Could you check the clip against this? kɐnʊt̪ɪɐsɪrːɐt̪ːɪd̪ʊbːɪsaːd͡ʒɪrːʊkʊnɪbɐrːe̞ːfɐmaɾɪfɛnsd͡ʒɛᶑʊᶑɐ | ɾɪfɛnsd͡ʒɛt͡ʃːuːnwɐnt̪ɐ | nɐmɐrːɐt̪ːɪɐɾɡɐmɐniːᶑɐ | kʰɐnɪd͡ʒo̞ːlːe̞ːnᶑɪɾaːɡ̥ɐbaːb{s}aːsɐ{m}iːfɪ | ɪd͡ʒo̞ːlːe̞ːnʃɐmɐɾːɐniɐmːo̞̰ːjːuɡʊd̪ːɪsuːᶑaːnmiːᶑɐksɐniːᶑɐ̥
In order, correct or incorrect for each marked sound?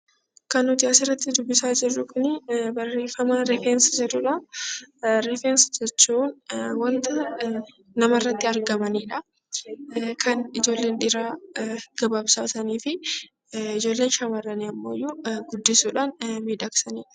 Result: correct, incorrect

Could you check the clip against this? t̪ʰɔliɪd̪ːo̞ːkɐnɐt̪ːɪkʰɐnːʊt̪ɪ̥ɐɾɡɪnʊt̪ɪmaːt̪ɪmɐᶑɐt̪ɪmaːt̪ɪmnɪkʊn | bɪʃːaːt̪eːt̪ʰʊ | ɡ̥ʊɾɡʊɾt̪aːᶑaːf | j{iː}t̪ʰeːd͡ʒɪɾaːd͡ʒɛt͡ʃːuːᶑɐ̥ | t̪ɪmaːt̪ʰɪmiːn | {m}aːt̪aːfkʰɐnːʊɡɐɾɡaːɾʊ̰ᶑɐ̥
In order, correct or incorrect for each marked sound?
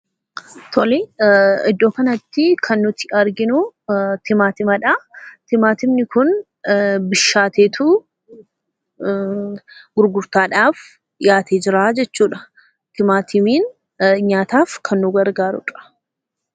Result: incorrect, incorrect

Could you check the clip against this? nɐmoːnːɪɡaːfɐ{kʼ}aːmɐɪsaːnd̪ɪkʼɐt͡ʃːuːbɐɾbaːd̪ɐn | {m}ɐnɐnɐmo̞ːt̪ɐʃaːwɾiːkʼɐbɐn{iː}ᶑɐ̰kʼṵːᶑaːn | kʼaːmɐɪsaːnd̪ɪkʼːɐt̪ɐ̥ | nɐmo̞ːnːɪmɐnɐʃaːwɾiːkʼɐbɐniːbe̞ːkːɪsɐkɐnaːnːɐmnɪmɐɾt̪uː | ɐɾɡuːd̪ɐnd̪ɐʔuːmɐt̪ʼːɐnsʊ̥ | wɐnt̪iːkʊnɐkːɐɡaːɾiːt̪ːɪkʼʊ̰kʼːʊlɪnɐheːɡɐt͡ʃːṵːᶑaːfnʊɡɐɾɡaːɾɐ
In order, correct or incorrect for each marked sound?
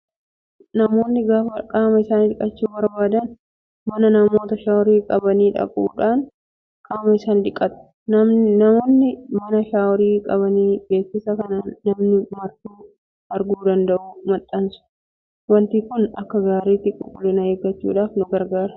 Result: correct, correct, correct

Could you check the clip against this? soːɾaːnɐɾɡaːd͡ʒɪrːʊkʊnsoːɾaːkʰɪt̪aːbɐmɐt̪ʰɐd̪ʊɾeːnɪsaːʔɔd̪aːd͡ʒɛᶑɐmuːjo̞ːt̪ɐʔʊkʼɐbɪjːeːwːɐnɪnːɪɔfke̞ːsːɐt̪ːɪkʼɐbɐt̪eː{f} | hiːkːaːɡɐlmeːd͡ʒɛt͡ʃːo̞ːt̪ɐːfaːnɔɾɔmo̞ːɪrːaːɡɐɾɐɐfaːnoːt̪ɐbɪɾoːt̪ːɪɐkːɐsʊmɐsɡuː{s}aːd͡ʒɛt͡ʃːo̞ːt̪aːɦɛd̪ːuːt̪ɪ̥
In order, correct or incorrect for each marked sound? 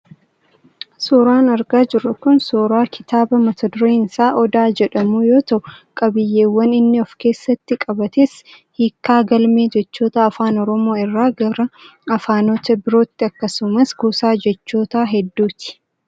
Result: incorrect, correct

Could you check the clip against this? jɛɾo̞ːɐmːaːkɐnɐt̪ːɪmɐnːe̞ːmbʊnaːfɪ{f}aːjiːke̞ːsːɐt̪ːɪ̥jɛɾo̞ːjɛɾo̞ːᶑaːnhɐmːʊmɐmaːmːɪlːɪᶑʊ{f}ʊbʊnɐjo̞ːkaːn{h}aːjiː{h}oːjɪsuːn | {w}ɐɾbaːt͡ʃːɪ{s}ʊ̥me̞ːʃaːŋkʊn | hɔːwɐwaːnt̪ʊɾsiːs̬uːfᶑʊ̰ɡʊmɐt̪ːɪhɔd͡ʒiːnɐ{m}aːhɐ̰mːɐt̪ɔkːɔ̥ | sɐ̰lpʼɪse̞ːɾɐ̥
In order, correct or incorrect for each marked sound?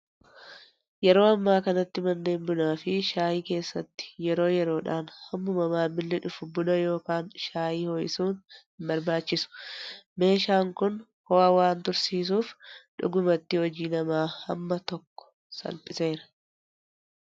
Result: incorrect, correct, incorrect, correct, incorrect, correct, correct

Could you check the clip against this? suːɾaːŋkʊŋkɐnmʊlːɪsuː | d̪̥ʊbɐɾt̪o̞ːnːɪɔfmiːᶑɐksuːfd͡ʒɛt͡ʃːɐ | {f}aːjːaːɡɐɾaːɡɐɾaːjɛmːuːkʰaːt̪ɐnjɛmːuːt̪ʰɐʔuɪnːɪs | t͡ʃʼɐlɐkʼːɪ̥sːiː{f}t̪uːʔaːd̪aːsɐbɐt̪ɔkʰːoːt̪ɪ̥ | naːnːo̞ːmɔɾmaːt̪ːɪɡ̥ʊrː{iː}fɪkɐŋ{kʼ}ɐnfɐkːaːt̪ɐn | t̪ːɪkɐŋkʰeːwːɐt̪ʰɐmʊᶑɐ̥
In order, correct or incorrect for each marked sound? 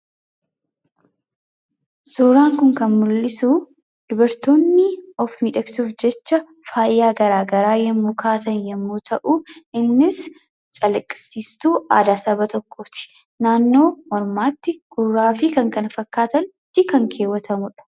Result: correct, incorrect, incorrect, incorrect

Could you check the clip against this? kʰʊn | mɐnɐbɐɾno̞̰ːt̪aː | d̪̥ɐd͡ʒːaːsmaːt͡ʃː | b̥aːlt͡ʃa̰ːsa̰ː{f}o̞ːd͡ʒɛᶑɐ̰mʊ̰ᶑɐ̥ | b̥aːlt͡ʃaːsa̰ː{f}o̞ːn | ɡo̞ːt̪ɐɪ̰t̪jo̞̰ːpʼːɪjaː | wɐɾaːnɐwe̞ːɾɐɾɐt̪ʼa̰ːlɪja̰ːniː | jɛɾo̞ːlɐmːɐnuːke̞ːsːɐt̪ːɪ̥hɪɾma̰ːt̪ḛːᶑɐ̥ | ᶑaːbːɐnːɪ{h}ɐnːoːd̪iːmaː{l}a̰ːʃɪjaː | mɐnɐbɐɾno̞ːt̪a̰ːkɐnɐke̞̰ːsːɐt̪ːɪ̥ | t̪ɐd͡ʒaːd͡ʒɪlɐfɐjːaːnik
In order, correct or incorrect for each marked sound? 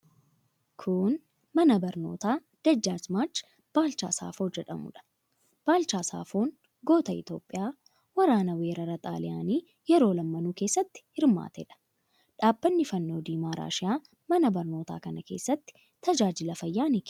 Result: correct, correct, incorrect, incorrect

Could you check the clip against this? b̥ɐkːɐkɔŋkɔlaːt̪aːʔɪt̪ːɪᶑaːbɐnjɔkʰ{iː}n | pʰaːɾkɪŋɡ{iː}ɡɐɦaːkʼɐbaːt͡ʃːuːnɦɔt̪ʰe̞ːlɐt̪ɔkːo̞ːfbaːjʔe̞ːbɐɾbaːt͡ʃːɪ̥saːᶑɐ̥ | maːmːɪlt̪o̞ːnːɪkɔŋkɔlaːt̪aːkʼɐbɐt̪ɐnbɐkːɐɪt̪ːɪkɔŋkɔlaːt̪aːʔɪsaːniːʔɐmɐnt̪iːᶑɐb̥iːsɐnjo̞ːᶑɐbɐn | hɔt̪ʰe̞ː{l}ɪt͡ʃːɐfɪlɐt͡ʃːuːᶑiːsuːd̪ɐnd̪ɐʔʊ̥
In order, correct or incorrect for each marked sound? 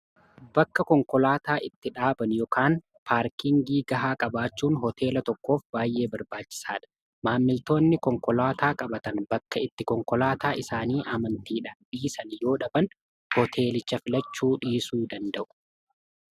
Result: incorrect, correct, correct

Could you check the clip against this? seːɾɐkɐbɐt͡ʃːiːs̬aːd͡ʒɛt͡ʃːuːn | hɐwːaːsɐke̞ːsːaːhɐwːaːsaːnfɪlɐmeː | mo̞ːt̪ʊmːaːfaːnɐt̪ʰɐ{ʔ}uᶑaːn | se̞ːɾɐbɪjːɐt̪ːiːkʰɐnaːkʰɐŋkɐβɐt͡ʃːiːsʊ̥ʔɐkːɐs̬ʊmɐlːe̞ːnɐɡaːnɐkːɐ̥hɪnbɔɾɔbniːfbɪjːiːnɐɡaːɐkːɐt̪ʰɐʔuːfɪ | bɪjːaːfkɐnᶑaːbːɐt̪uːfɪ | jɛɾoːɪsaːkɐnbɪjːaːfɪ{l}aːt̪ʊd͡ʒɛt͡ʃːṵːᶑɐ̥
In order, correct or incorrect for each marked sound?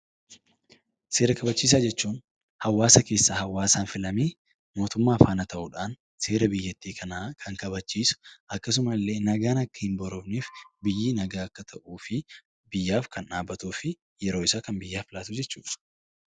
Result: correct, correct

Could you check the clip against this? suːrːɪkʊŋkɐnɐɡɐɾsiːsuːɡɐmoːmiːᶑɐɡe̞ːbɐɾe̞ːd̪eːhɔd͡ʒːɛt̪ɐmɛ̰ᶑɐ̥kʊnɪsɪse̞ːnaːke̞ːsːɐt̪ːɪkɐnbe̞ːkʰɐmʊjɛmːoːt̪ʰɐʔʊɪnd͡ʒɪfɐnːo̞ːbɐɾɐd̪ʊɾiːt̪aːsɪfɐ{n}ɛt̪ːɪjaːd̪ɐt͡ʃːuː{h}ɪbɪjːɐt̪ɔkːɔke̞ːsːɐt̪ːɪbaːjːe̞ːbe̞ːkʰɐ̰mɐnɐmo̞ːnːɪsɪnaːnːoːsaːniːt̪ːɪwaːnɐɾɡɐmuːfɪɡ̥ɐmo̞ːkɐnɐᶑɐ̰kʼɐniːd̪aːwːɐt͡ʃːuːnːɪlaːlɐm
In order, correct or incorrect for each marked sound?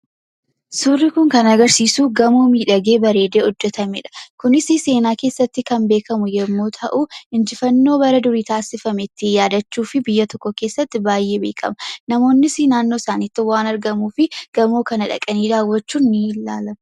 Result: incorrect, incorrect

